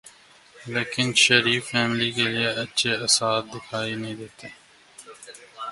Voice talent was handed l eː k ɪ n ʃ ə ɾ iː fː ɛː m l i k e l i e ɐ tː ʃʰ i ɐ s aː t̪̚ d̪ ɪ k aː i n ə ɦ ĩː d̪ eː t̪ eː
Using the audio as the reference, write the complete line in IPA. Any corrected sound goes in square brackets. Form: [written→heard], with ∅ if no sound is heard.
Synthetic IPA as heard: l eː k ɪ n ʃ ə ɾ iː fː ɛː m l i k e l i e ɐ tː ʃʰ [i→e] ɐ s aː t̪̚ d̪ ɪ [k→kʰ] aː i n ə ɦ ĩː d̪ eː t̪ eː